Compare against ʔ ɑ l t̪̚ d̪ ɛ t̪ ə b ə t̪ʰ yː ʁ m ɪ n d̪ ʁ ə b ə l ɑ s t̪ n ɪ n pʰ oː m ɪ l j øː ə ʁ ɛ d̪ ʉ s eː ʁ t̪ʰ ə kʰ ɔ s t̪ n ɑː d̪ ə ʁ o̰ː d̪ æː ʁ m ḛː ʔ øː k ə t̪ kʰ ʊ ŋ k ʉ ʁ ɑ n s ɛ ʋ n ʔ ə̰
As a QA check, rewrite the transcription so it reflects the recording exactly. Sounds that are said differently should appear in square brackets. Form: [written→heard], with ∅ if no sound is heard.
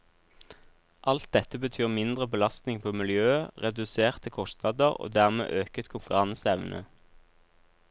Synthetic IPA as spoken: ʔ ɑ l t̪̚ d̪ ɛ t̪ ə b ə t̪ʰ yː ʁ m ɪ n d̪ ʁ ə b ə l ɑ s t̪ n ɪ [n→ŋ] pʰ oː m ɪ l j øː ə ʁ ɛ d̪ ʉ s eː ʁ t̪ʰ ə kʰ ɔ s t̪ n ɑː d̪ ə ʁ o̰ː d̪ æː ʁ m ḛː ʔ øː k ə t̪ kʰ ʊ ŋ k ʉ ʁ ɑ n s ɛ ʋ n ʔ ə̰